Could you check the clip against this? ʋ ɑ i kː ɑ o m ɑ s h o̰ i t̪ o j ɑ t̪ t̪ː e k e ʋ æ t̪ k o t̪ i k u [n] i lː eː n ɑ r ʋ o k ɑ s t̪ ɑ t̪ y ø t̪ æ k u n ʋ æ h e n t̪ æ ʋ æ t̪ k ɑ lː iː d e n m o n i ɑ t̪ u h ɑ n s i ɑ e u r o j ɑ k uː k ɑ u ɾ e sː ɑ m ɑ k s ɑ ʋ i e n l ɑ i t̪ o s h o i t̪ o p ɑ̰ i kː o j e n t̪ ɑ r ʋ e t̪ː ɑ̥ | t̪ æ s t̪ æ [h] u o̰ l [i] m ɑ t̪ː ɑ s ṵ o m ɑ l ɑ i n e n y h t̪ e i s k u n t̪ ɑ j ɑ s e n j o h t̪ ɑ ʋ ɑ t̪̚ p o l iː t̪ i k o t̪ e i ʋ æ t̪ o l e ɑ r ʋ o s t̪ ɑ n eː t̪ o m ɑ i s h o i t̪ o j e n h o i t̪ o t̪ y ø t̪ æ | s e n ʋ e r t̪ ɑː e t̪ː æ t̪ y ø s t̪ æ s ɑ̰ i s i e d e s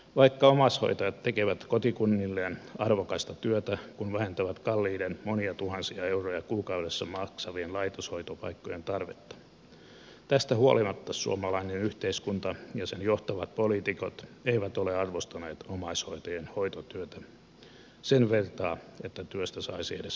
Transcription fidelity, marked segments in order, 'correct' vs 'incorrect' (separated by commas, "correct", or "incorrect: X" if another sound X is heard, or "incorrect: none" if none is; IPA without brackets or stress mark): incorrect: nː, correct, correct